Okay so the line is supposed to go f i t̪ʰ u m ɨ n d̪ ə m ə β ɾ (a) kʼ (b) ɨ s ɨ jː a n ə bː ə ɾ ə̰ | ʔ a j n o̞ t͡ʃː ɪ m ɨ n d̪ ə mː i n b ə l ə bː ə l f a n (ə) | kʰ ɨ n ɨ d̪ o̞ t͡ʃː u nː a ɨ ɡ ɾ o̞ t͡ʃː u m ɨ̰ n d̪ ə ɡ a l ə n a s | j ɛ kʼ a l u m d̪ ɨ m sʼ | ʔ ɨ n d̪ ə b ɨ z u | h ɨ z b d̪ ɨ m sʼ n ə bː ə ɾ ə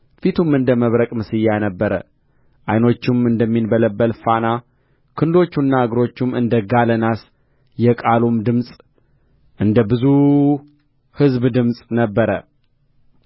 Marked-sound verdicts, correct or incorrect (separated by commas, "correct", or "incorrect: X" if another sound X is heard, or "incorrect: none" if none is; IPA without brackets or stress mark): incorrect: ə, incorrect: m, incorrect: a